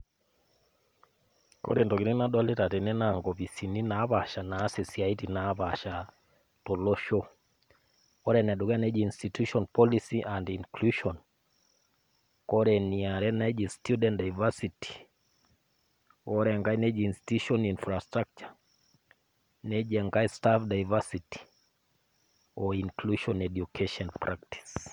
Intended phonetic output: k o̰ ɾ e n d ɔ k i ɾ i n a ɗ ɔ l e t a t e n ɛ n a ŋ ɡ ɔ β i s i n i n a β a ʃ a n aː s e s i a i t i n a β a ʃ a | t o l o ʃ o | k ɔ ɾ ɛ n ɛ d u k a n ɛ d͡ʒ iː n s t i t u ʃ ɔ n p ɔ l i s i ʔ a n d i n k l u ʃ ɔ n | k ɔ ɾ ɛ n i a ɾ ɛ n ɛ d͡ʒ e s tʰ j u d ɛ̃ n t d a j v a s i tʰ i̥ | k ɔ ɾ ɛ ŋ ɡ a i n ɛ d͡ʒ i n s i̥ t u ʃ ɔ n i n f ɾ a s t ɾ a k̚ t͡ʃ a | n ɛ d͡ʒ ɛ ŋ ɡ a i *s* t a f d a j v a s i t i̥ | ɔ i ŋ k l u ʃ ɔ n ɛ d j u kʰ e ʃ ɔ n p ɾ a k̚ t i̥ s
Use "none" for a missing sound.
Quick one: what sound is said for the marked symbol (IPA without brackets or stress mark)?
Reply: s